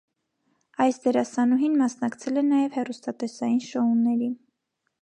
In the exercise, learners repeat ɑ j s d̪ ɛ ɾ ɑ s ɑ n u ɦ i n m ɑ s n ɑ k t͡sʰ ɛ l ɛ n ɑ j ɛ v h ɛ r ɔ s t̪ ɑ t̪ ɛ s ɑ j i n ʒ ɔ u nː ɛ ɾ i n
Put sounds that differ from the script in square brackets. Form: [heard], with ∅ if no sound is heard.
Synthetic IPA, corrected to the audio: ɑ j s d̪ ɛ ɾ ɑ s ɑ n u ɦ i n m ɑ s n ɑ k t͡sʰ ɛ l ɛ n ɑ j ɛ v h ɛ r [u] s t̪ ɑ t̪ ɛ s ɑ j i n [ʃ] ɔ u nː ɛ ɾ i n